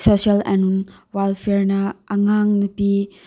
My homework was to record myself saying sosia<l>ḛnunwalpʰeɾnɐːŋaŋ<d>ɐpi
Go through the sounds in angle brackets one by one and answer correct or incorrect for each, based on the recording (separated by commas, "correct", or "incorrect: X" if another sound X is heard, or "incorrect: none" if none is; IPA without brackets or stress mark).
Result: correct, incorrect: n